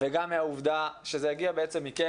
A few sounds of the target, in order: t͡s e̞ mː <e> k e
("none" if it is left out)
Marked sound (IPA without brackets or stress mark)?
i